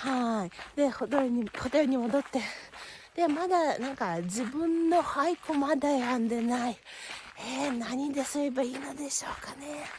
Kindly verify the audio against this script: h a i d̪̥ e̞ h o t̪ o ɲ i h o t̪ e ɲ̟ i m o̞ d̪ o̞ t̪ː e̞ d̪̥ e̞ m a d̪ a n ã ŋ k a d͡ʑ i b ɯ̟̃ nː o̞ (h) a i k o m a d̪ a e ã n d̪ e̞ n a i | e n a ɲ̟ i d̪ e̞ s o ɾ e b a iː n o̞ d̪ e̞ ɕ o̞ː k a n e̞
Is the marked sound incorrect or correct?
correct